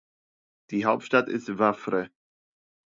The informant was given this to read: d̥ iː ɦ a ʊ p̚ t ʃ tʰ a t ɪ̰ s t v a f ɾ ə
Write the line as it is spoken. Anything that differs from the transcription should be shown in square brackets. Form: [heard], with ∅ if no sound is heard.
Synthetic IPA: d̥ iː ɦ a ʊ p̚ t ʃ [t] a t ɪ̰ s t v a f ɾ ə